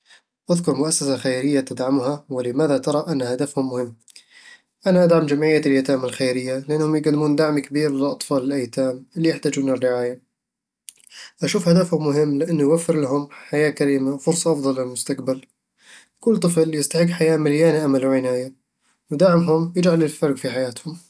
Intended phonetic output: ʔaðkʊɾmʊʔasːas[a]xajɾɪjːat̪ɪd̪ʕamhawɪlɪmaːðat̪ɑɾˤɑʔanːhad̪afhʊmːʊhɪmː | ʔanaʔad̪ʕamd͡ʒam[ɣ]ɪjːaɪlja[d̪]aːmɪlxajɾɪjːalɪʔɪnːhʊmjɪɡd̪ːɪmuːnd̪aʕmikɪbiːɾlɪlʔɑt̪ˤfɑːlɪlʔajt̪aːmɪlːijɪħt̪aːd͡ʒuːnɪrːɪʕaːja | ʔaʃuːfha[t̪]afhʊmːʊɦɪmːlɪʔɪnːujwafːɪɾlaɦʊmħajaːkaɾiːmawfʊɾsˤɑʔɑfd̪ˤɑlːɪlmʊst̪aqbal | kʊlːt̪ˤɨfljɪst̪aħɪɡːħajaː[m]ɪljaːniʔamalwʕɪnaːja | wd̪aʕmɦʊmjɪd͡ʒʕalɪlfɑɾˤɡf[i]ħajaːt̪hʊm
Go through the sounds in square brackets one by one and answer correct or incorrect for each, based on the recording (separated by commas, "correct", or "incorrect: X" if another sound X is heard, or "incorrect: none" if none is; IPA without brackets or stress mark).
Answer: correct, incorrect: ʕ, incorrect: t̪, incorrect: d̪, correct, correct